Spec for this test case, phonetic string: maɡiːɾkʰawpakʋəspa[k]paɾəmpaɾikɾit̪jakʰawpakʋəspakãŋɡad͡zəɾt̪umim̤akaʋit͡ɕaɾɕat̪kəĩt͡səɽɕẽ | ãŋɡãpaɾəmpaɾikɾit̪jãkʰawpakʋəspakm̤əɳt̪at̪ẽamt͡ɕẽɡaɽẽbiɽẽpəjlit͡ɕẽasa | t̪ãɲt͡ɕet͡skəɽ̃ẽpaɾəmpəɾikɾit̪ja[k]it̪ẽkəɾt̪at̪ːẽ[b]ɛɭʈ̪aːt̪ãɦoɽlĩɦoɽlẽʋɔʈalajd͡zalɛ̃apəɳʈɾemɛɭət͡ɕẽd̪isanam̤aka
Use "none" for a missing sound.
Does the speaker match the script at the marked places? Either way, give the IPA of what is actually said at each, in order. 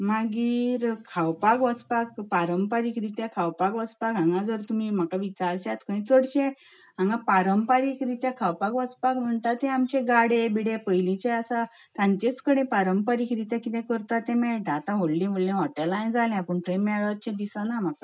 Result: k, k, m

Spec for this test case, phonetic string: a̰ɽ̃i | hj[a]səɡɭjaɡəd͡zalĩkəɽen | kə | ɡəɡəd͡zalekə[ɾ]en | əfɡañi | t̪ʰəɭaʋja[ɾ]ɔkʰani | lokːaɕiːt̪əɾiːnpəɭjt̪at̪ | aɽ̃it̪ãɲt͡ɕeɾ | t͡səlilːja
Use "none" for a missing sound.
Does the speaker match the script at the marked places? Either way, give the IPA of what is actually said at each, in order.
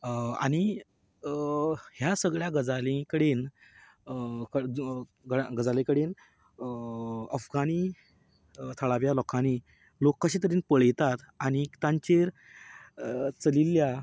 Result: a, ɽ, l

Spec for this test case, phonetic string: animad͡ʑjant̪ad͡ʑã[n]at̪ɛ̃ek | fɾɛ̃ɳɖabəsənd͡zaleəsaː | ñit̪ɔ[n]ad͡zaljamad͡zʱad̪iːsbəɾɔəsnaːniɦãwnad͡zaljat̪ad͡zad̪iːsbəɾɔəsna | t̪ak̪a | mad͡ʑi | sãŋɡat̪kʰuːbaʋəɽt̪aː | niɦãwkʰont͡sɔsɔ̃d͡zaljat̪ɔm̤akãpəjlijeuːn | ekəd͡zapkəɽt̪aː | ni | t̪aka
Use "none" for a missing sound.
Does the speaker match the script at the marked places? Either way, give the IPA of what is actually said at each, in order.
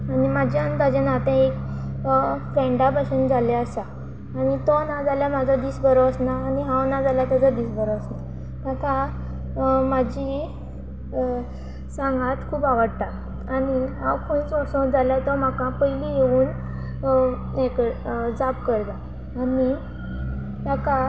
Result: n, n

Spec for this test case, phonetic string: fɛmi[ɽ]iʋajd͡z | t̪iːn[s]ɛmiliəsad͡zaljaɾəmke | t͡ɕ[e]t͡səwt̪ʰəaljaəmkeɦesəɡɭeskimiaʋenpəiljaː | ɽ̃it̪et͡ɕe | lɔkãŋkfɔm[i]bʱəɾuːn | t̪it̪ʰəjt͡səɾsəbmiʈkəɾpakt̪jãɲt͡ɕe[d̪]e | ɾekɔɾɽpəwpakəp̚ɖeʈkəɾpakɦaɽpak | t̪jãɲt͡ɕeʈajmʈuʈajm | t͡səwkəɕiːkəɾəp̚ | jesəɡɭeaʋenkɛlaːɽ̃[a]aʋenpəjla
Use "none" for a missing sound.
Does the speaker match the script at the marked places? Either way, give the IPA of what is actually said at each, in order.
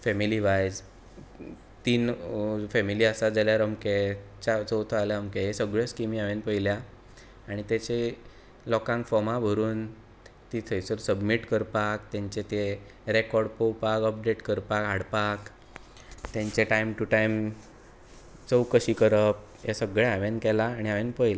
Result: l, f, a, a, t̪, i

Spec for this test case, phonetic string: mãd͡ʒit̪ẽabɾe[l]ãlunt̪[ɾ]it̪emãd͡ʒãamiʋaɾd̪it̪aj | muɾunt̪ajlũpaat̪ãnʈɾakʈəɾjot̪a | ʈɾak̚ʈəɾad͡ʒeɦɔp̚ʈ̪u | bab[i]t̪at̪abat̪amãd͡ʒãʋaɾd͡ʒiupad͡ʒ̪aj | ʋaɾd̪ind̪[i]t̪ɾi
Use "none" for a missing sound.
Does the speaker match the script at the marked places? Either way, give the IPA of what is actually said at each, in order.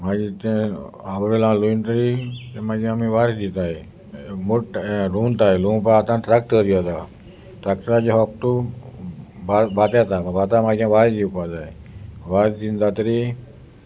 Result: l, ɾ, a, a

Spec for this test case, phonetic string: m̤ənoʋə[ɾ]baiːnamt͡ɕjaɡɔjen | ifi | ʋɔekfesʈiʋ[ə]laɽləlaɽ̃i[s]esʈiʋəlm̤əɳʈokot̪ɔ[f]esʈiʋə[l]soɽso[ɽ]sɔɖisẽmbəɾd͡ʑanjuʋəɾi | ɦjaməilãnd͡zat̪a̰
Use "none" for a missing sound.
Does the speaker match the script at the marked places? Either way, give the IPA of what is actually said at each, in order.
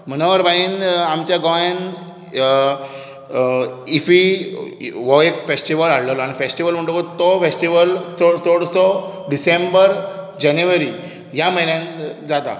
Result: ɾ, ə, f, f, l, ɽ

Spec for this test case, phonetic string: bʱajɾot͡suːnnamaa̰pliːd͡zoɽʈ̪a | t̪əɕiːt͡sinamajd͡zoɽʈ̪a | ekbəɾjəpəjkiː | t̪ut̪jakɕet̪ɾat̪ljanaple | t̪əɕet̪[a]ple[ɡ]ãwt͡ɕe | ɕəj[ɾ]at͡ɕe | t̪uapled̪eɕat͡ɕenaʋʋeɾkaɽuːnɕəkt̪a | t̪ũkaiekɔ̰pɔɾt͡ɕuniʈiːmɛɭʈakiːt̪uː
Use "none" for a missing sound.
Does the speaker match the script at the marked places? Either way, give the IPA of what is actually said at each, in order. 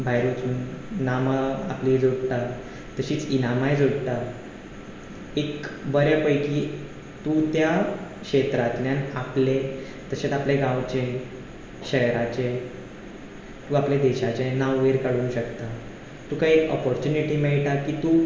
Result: a, ɡ, ɾ

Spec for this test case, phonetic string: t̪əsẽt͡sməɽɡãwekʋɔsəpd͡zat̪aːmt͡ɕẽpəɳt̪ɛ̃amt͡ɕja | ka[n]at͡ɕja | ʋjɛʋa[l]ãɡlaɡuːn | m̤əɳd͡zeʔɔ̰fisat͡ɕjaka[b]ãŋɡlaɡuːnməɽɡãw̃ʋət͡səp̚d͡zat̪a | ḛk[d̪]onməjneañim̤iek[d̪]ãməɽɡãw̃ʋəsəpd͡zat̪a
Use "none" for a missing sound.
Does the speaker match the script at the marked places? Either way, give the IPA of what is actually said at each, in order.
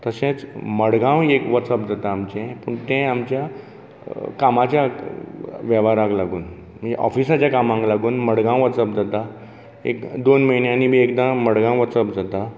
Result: m, ɾ, m, d̪, d̪

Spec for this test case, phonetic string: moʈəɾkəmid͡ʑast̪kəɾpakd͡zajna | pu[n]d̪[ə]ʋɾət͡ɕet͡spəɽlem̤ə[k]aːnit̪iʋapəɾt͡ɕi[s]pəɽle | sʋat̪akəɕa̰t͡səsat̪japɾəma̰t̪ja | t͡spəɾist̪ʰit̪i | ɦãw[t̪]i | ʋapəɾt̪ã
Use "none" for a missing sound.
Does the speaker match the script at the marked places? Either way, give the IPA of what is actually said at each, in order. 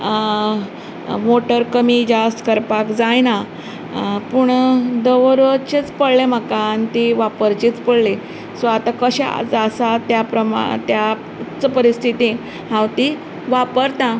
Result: ɳ, ə, k, t͡s, t̪

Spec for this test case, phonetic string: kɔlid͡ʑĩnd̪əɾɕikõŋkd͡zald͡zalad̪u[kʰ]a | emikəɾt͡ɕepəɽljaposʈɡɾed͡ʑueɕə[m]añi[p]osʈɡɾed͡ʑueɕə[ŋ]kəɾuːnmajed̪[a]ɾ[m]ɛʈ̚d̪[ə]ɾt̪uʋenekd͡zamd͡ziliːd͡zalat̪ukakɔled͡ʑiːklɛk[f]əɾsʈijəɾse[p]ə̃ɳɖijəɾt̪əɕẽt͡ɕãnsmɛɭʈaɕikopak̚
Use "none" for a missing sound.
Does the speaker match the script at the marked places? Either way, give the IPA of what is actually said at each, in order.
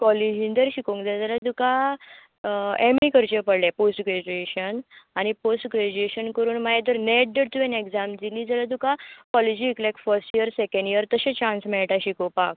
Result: k, n, p, n, ə, n, ə, f, k

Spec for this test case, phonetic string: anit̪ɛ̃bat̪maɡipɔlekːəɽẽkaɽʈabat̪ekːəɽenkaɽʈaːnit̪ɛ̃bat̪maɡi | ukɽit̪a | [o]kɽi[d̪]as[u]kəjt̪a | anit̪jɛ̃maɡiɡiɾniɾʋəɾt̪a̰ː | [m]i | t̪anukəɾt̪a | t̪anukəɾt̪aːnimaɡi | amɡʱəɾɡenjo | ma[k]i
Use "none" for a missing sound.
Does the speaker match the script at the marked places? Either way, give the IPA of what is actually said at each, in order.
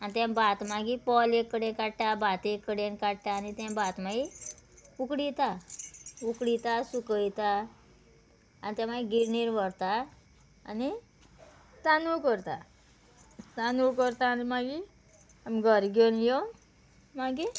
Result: u, t̪, u, n, ɡ

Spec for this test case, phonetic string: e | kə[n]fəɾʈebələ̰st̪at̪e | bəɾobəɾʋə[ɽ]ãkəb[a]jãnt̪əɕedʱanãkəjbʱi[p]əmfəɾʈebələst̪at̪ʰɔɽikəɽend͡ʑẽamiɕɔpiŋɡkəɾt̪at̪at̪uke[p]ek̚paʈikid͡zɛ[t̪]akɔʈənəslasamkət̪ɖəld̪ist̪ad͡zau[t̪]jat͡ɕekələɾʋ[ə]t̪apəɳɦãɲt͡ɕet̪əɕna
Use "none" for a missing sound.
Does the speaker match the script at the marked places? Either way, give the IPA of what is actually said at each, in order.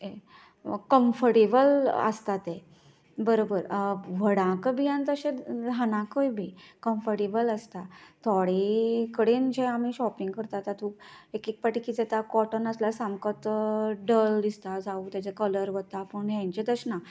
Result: m, ɽ, i, k, k, t̪, t̪, ə

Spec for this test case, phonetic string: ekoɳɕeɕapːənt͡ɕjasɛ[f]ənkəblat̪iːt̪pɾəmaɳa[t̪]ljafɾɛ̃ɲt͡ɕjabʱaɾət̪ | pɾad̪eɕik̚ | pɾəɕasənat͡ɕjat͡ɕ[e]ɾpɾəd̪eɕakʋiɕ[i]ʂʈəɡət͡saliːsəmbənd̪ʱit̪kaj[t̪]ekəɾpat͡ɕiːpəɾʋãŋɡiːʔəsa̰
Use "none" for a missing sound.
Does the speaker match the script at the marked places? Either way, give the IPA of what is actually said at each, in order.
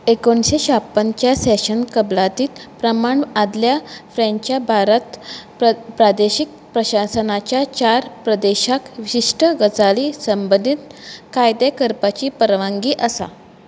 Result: ɕ, d̪, a, i, d̪

